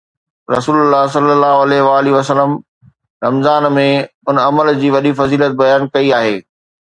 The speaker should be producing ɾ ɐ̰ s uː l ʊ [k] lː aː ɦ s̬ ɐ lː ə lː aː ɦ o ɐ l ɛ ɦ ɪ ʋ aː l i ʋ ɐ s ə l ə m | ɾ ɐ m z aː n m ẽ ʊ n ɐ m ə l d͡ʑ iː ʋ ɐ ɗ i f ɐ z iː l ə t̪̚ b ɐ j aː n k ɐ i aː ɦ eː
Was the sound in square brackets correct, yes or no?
no